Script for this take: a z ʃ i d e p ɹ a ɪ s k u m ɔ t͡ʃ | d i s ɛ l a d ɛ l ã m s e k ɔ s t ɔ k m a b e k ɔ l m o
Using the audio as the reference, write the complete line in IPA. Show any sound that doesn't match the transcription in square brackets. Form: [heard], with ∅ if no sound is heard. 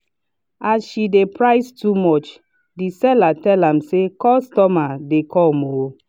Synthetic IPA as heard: a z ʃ i d e p ɹ a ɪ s [t] u m ɔ t͡ʃ | d i s ɛ l a [t] ɛ l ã m s e k ɔ s t ɔ [∅] m a [d] e k ɔ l m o

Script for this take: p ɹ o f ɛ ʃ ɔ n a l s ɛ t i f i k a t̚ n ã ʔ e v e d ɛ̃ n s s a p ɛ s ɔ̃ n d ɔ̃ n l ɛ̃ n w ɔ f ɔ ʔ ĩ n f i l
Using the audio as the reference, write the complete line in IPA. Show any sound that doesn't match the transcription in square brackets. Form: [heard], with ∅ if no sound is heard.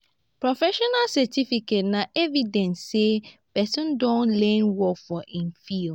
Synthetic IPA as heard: p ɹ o f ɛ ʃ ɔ n a l s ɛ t i f i k [e] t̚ n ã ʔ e v [i] d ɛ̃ n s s [e] p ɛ s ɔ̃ n d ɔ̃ n l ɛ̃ n w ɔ f ɔ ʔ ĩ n f i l

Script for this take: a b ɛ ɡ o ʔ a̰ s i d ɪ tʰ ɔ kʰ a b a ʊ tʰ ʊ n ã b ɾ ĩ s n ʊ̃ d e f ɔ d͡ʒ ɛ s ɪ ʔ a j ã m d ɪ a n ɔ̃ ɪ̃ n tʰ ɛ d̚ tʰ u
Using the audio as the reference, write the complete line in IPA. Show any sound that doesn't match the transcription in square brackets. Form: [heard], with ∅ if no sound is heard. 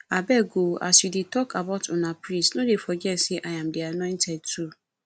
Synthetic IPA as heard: a b ɛ ɡ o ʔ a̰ s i d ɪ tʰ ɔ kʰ a b a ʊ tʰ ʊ n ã [p] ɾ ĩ s n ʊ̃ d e f ɔ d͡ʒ ɛ s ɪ ʔ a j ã m d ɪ a n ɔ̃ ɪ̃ n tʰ ɛ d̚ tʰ u

